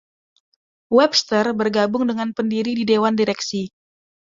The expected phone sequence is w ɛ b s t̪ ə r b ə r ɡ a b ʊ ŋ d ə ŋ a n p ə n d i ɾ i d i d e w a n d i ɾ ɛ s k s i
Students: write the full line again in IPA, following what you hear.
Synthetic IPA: w ɛ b s t̪ ə r b ə r ɡ a b ʊ ŋ d ə ŋ a n p ə n d i ɾ i d i d e w a n d i ɾ ɛ k s i